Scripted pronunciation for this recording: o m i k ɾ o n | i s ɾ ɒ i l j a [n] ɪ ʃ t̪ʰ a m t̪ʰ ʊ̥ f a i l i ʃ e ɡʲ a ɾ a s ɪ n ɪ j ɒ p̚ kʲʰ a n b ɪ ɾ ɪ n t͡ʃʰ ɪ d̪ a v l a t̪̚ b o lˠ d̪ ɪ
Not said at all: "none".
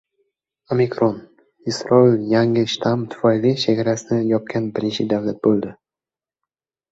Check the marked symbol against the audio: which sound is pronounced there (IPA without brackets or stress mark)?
ŋ